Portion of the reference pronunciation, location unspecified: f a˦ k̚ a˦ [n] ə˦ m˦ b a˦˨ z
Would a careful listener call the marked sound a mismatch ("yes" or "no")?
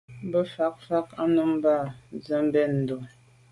no